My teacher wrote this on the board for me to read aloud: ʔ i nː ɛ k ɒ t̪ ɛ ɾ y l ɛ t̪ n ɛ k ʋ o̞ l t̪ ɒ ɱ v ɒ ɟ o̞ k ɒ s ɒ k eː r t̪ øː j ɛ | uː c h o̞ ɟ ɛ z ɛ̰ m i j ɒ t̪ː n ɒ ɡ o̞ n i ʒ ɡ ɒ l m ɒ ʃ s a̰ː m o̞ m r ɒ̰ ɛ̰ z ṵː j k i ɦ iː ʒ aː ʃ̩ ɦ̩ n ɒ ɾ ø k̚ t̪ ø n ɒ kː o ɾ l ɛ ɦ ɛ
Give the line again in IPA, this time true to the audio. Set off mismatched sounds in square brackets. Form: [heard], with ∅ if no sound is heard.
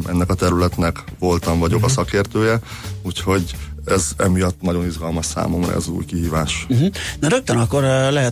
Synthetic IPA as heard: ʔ [ɛ] nː ɛ k ɒ t̪ ɛ ɾ y l ɛ t̪ n ɛ k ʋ o̞ l t̪ ɒ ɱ v ɒ ɟ o̞ k ɒ s ɒ k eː r t̪ øː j ɛ | uː c h o̞ ɟ ɛ z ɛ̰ m i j ɒ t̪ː n ɒ [ɟ] o̞ n i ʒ ɡ ɒ l m ɒ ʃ s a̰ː m o̞ m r ɒ̰ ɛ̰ z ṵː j k i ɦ iː [v] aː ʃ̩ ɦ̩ n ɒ ɾ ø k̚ t̪ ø n ɒ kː o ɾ l ɛ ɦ ɛ